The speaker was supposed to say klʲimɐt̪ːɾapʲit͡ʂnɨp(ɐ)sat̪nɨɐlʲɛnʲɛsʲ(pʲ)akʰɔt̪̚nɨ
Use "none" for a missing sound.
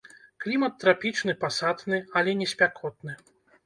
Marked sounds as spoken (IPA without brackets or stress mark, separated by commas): a, pʲ